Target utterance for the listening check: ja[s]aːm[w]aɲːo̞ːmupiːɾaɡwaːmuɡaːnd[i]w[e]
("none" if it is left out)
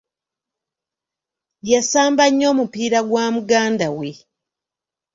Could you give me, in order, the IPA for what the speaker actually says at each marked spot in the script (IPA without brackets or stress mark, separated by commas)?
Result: s, b, a, e